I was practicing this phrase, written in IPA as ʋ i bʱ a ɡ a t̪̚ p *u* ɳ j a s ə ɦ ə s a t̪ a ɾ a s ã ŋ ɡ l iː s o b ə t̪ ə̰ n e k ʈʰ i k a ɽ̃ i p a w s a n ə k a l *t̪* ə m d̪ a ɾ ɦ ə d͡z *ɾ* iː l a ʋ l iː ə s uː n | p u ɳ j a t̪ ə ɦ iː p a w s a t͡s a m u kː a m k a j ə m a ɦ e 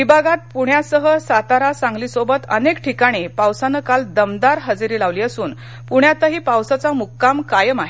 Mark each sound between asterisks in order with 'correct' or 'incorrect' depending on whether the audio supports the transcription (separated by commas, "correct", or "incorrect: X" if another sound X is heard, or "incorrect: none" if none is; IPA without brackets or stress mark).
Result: correct, incorrect: d̪, correct